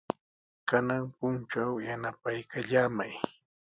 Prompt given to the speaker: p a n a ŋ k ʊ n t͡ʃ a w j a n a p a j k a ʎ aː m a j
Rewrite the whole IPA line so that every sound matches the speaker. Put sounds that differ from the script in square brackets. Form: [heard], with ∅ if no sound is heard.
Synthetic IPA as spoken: [k] a n a ŋ [p] ʊ n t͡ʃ a w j a n a p a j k a ʎ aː m a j